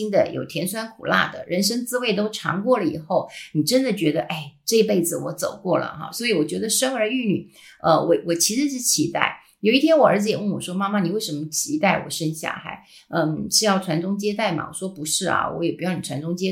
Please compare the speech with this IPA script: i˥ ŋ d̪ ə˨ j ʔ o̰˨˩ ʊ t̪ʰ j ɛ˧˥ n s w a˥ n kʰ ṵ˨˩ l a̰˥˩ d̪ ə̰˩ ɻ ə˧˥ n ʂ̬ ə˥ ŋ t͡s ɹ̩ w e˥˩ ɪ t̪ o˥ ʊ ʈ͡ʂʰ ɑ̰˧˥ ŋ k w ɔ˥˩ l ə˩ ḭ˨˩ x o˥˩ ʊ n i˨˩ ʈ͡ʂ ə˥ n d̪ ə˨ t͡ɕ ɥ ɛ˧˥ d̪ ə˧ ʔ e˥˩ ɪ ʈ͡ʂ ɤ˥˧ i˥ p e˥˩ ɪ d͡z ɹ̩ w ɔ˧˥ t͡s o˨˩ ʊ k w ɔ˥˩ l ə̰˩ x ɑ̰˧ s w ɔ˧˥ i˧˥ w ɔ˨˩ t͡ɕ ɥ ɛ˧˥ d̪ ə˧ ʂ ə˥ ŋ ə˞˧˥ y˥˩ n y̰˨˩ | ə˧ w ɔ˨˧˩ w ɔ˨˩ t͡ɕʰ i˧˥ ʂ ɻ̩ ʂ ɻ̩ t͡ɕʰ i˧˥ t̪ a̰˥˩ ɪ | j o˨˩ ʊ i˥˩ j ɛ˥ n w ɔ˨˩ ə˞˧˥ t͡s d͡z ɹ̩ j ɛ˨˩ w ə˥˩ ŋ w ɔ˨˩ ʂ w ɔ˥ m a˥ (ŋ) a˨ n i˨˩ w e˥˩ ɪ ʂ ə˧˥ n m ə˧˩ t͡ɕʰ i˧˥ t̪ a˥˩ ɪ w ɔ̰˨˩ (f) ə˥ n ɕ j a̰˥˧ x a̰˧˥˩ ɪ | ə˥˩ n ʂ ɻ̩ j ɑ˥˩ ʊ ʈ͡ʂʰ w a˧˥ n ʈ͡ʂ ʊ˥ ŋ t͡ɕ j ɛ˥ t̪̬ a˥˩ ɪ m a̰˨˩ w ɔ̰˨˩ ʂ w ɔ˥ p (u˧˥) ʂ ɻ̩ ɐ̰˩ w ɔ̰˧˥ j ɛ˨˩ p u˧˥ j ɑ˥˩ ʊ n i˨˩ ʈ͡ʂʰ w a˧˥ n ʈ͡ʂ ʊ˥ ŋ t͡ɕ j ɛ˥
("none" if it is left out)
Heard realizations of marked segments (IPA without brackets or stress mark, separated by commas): m, ʂ, u˧˥